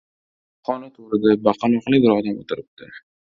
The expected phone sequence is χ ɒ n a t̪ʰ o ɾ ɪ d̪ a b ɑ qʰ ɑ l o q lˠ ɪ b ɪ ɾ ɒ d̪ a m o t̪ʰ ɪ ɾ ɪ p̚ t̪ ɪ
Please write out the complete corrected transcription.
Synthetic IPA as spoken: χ ɒ n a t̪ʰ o ɾ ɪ d̪ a b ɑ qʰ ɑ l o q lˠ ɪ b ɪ ɾ ɒ d̪ a m o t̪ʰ ɪ ɾ ɪ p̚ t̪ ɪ